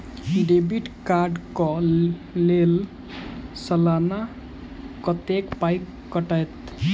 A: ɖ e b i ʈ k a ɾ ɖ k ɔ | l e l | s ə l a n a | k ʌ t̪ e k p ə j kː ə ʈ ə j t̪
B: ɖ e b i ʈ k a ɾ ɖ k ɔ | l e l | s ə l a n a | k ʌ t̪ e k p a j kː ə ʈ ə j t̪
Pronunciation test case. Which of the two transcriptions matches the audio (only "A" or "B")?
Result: B